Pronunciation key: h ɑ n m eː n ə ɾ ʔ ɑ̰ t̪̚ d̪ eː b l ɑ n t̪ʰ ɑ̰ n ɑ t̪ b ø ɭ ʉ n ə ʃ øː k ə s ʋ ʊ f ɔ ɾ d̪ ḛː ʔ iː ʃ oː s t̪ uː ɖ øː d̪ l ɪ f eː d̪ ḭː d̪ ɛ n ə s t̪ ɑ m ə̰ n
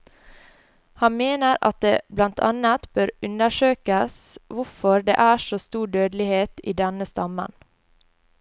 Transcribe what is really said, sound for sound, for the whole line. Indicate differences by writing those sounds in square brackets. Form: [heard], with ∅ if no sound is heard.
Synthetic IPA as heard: h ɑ n m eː n ə ɾ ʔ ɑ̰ t̪̚ d̪ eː b l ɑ n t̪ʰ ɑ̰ n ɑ t̪ b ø [ɾ] ʉ n ə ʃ øː k ə s ʋ ʊ f ɔ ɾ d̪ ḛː ʔ [æː] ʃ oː s t̪ uː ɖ øː d̪ l ɪ [h] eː [t̪] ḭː d̪ ɛ n ə s t̪ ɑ m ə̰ n